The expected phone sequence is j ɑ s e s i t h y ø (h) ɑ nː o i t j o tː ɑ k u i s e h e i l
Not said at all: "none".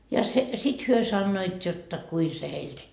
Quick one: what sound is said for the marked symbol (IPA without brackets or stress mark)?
s